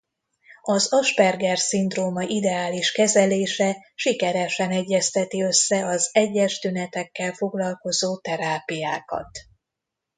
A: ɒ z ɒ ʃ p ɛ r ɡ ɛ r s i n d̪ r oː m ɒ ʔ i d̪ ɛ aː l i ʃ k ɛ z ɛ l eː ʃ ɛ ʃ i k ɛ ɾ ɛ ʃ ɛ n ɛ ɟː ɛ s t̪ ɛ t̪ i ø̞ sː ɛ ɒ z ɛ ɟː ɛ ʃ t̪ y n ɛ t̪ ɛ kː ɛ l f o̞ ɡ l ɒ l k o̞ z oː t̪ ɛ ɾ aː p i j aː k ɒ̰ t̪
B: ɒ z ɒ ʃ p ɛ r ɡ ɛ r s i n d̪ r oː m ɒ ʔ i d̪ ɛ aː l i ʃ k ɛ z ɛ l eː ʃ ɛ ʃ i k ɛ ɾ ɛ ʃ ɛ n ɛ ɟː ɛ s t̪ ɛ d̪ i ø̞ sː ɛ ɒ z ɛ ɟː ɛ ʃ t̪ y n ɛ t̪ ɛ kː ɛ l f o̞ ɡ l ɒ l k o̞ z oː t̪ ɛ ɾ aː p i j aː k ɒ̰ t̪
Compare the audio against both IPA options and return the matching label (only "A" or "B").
A